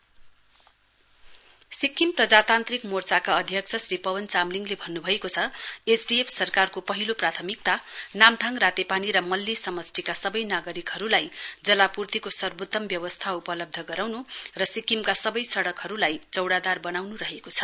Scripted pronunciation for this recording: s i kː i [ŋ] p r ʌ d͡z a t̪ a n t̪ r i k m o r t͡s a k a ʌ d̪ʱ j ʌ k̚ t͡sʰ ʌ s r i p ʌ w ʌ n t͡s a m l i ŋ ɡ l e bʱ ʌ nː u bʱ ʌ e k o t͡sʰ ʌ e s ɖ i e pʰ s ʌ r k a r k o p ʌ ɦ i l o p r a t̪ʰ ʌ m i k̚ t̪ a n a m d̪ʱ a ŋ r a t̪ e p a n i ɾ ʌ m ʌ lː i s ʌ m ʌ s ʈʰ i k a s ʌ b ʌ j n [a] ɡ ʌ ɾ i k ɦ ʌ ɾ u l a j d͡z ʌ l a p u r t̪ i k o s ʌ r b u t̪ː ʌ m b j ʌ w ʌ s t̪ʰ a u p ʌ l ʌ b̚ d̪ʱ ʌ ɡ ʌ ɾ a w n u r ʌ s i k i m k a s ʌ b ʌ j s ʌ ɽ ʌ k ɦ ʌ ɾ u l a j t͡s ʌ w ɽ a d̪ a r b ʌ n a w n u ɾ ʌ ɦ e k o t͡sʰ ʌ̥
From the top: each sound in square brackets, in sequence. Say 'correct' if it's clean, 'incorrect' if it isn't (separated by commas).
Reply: incorrect, correct